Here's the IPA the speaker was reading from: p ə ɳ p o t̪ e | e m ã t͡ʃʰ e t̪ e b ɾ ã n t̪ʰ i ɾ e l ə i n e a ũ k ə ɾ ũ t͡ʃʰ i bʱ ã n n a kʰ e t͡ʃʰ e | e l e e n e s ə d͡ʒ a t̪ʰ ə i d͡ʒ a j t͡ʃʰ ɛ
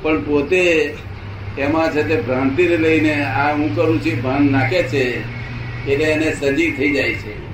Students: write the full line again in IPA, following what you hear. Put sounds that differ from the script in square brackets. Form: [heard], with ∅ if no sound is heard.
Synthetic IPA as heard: p ə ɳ p o t̪ e | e m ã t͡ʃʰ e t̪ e b ɾ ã n [t̪] i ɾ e l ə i n e a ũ k ə ɾ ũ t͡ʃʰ i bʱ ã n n a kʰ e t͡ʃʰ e | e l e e n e s ə d͡ʒ [i] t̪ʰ ə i d͡ʒ a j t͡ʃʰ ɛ